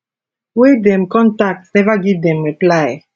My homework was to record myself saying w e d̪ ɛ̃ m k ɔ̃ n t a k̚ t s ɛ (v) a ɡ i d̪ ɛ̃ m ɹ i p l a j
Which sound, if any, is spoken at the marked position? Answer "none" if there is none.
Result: v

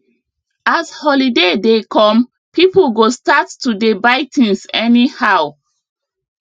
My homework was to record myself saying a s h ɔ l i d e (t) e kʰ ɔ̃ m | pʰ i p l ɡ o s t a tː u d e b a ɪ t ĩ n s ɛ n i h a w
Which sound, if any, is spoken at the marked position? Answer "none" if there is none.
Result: d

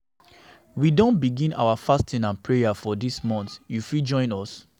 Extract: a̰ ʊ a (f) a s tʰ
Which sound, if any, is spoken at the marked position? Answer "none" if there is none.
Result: f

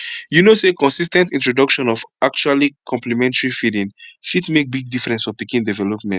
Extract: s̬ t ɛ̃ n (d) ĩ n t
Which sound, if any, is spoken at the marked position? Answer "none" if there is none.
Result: t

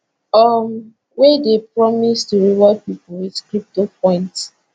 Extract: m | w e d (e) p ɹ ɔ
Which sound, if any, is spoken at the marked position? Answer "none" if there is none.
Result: e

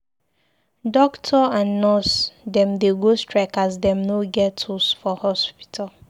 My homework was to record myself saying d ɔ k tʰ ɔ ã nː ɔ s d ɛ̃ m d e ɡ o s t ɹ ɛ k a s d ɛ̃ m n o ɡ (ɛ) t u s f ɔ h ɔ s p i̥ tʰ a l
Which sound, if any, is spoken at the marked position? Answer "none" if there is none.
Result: ɛ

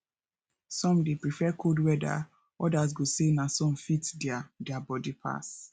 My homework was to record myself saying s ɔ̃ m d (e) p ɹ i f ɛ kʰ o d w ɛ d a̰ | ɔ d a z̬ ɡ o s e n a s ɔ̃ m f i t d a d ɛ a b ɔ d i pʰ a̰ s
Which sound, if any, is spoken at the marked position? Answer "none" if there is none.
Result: e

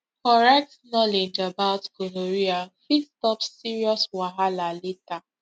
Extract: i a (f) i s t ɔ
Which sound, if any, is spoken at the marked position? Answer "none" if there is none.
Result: f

